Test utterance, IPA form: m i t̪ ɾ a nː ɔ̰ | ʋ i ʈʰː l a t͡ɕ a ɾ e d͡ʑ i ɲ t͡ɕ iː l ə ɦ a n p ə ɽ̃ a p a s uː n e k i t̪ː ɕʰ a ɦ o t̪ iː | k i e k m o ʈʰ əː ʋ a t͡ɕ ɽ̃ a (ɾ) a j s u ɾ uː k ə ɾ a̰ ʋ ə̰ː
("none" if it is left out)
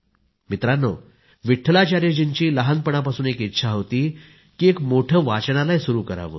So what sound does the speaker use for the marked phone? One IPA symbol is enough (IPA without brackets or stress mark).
l